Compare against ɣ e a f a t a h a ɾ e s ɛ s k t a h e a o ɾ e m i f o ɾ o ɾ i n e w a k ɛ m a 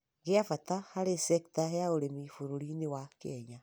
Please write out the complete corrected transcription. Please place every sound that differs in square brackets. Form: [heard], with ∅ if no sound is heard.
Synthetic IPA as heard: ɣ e a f a t a h a ɾ e s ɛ [∅] k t a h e a o ɾ e m i f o ɾ o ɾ i n e w a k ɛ [ɲ] a